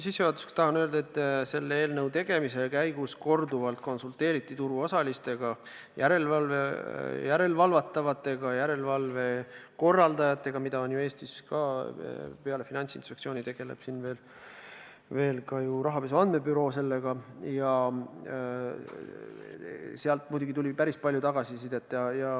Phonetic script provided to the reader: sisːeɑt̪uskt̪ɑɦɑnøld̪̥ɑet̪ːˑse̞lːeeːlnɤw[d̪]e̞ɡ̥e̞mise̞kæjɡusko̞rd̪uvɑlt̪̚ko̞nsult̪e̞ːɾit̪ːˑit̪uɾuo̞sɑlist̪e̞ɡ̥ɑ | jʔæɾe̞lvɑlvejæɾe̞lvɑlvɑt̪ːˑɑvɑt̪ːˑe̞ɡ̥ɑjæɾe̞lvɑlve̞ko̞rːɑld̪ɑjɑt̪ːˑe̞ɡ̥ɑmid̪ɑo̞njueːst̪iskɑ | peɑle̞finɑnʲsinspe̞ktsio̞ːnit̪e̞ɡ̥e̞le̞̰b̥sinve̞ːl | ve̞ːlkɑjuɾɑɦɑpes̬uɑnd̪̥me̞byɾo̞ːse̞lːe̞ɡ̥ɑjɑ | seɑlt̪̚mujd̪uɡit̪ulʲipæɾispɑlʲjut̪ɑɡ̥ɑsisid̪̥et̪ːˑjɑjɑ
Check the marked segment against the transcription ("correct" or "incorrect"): incorrect